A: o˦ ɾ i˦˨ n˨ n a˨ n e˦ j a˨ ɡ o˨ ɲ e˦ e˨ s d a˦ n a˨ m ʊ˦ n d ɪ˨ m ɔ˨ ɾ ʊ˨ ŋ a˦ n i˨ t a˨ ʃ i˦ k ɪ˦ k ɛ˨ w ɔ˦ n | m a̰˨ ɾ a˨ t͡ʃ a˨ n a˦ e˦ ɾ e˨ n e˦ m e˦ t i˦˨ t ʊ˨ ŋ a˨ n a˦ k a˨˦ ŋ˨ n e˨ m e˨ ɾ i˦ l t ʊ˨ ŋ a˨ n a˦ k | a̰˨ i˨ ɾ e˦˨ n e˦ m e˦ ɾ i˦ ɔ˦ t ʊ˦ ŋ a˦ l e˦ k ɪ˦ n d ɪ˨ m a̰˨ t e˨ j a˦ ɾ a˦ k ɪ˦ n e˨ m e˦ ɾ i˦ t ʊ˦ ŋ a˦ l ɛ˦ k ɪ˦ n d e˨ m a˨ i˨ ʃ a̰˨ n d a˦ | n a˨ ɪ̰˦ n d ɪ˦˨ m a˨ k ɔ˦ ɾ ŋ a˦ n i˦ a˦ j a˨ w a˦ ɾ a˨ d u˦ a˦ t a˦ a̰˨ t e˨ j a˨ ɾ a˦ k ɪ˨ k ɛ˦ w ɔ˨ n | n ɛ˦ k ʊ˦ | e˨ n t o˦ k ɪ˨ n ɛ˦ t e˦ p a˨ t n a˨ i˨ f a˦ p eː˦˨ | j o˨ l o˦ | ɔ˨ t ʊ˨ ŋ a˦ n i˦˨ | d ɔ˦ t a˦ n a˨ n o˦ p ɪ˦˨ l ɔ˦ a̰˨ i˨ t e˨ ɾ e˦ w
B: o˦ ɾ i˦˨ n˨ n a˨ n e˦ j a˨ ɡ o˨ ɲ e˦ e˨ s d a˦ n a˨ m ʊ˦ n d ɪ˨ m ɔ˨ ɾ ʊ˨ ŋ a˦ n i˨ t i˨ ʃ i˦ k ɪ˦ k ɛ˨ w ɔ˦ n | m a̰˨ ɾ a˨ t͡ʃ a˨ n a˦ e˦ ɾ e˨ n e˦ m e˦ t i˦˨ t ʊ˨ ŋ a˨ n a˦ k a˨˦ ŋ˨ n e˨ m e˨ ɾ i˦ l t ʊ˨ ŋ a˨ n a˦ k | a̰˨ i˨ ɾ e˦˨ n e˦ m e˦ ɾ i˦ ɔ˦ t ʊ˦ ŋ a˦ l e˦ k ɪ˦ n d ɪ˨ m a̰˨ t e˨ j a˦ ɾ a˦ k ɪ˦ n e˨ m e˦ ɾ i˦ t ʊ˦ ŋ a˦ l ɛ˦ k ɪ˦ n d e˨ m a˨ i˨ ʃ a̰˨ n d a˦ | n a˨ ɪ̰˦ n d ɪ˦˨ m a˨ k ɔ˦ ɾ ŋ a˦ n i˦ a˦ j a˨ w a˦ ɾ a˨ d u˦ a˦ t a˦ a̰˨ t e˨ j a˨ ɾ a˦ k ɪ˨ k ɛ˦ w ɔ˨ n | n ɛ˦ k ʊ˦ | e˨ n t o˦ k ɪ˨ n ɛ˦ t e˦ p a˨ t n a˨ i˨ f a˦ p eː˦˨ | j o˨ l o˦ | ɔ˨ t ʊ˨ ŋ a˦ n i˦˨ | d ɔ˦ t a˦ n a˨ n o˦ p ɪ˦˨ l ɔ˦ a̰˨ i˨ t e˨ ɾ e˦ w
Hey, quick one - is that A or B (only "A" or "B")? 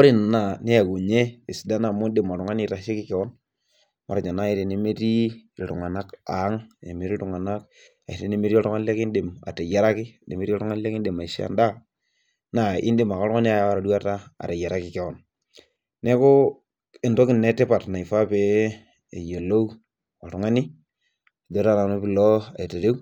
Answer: A